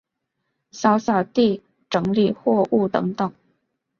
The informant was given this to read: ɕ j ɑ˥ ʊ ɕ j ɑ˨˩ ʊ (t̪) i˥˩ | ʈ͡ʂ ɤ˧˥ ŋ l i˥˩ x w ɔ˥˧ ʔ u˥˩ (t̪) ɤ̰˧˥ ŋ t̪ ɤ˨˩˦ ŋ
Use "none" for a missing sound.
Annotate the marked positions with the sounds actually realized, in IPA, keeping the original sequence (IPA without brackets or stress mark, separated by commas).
t̪, t̪